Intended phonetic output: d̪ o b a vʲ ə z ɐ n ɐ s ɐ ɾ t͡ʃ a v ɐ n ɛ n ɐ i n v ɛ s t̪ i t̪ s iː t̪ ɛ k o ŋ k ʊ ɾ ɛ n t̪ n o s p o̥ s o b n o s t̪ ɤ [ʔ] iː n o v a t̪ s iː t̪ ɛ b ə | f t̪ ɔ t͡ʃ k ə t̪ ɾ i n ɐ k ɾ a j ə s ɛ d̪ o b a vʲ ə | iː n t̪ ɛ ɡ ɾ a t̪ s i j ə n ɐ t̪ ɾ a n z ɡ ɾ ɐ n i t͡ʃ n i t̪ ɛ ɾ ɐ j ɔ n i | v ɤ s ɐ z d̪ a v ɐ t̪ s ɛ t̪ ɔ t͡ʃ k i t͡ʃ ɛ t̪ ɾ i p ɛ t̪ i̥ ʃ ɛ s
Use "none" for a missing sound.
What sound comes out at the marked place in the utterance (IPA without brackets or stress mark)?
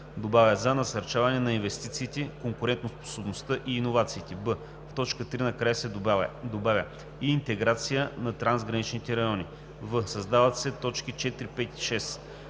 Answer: ʔ